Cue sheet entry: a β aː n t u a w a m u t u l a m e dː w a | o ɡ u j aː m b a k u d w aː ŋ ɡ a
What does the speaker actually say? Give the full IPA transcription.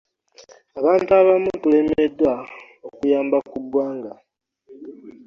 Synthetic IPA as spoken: a β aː n t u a β a m u t u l e m e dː w a | o k u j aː m b a k u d w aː ŋ ɡ a